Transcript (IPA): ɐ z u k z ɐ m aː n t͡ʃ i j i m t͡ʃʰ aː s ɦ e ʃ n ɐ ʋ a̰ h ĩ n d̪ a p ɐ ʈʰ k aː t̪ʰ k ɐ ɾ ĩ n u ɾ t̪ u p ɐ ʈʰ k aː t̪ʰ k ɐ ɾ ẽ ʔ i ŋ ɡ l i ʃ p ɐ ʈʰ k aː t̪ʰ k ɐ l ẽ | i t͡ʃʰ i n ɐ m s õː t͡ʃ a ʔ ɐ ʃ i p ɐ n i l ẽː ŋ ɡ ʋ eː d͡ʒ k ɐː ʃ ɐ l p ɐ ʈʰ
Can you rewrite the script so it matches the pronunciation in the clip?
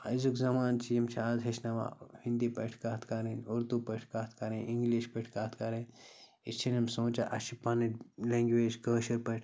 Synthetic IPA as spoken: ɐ z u k z ɐ m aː n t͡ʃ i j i m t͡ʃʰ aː z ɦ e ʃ n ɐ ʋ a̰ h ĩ n d̪ i p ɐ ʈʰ k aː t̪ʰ k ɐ ɾ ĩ n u ɾ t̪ u p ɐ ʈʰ k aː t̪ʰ k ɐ ɾ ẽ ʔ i ŋ ɡ l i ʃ p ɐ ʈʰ k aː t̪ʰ k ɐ ɾ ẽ | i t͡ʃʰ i n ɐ m s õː t͡ʃ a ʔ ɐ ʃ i p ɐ n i l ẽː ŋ ɡ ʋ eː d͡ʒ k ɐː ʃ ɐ ɾ p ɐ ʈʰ